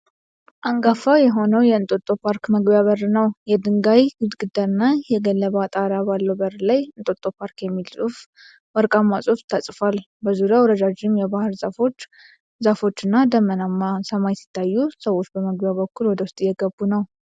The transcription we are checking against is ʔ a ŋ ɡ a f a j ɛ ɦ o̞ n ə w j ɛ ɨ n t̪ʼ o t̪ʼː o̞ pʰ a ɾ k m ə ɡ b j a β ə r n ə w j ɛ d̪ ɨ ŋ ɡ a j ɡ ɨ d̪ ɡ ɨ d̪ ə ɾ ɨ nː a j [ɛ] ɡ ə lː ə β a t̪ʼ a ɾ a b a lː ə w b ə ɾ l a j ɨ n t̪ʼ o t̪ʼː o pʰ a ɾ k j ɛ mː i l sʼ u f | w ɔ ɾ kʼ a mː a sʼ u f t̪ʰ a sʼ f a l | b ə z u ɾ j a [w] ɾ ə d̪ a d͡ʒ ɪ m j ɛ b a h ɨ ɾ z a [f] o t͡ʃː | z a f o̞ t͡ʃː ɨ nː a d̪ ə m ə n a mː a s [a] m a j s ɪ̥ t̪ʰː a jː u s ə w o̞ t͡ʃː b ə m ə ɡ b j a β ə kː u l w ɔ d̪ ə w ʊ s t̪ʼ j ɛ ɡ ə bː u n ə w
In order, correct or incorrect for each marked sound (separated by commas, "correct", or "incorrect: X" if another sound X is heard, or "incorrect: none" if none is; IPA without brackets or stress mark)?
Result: correct, correct, correct, incorrect: ə